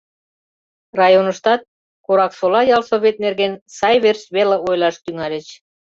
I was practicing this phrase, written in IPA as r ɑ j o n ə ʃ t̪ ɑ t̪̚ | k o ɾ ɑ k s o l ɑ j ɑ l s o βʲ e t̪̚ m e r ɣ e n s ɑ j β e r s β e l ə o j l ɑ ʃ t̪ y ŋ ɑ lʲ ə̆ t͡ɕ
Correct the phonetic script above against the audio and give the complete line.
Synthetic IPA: r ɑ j o n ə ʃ t̪ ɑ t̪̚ | k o ɾ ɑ k s o l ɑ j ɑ l s o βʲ e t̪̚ n e r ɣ e n s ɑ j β e r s β e l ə o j l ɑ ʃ t̪ y ŋ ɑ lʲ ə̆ t͡ɕ